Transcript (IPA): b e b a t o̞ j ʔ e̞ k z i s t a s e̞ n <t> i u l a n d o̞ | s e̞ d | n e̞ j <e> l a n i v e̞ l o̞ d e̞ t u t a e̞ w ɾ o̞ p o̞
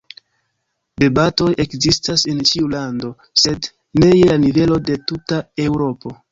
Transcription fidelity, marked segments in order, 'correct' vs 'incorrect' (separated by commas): incorrect, correct